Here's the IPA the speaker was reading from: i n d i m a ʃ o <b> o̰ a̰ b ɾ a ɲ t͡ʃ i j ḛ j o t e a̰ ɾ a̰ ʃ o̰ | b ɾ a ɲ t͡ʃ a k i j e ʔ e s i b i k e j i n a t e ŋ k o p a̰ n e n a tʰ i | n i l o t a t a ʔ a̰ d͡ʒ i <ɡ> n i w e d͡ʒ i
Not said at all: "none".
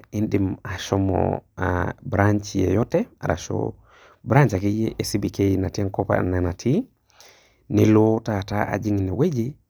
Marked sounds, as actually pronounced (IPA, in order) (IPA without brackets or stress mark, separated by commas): m, ŋ